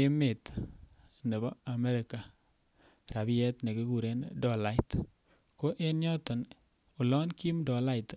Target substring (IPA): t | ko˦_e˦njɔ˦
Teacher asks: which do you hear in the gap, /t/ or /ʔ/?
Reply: ʔ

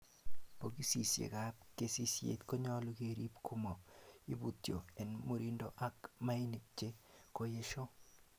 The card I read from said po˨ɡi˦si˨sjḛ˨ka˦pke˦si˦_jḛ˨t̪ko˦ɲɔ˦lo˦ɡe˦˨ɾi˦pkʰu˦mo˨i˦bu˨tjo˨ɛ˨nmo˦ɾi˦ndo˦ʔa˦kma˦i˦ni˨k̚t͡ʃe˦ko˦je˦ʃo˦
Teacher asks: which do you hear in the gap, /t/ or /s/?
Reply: s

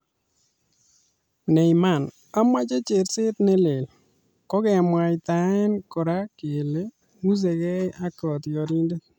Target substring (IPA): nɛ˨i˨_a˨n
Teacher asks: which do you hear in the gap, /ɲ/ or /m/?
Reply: m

